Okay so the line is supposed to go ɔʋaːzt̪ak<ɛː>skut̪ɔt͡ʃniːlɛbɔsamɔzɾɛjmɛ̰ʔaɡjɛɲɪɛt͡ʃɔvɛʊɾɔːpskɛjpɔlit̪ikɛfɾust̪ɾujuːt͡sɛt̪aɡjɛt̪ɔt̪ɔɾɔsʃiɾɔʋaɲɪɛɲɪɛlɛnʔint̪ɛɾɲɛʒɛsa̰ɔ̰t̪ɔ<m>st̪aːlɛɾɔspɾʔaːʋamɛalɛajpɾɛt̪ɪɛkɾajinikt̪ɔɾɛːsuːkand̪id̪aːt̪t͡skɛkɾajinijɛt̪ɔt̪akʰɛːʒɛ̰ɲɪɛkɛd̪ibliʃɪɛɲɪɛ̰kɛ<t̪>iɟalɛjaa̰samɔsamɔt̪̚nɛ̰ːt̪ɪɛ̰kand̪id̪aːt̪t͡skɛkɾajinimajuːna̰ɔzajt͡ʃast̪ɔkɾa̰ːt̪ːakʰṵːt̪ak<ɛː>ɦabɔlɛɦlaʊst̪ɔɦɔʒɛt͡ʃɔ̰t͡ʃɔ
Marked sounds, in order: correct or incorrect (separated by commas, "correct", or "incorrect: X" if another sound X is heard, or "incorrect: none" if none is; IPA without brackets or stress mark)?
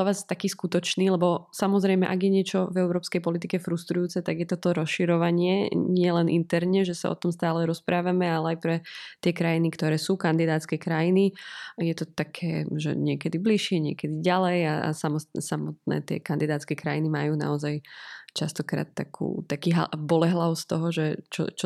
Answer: incorrect: iː, correct, incorrect: d̪, incorrect: iː